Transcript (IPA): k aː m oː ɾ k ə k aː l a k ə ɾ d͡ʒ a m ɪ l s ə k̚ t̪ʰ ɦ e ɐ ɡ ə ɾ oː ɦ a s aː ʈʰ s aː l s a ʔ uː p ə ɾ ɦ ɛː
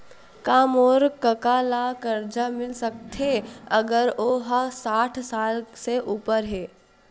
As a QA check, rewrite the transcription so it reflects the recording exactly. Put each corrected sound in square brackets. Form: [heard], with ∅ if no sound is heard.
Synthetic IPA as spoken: k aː m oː ɾ k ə k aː l a k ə ɾ d͡ʒ a m ɪ l s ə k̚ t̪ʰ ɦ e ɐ ɡ ə ɾ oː ɦ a s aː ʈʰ s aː l s [e] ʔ uː p ə ɾ ɦ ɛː

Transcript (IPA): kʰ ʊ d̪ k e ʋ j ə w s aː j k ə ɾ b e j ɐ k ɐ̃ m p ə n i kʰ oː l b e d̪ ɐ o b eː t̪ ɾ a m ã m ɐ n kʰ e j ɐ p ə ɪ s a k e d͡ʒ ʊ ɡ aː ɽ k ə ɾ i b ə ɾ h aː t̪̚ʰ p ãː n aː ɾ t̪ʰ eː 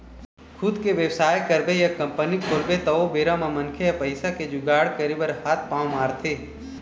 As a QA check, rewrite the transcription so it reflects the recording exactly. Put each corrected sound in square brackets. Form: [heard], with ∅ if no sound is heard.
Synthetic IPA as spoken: kʰ ʊ d̪ k e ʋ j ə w s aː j k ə ɾ b e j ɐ k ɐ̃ m p ə n i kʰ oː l b e [t̪] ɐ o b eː [∅] ɾ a m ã m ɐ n kʰ e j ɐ p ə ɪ s a k e d͡ʒ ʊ ɡ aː ɽ k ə ɾ i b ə ɾ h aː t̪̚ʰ p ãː [m] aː ɾ t̪ʰ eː

